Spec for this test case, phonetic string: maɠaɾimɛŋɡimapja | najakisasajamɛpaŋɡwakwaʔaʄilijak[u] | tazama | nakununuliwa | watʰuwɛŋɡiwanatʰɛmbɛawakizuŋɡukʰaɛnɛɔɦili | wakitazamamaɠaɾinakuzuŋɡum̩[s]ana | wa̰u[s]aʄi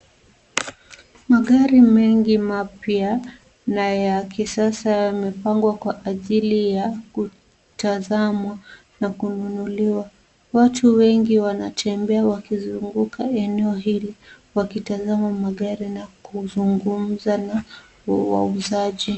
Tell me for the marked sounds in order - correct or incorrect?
correct, incorrect, incorrect

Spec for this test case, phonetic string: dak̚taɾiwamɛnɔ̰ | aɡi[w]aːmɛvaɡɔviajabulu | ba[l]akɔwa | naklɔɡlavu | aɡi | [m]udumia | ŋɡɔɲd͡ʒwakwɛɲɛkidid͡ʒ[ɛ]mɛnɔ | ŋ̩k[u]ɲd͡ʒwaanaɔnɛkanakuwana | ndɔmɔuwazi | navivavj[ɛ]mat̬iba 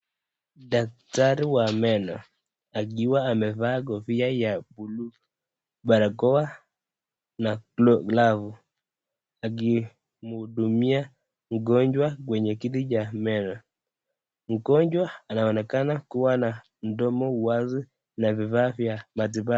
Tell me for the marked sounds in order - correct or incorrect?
correct, incorrect, correct, incorrect, incorrect, incorrect

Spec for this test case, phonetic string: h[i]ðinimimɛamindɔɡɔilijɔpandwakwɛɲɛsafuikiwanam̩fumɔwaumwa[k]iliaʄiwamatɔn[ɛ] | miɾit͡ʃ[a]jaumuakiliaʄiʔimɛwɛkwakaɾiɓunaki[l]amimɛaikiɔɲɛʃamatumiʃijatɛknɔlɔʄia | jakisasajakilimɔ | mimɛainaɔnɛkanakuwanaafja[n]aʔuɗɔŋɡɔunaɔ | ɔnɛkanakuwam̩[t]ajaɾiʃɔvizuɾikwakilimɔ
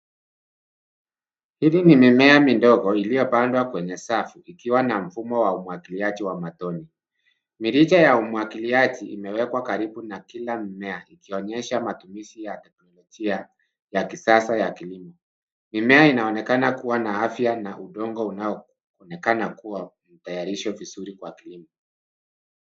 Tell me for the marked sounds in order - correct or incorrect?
correct, correct, incorrect, correct, correct, correct, correct

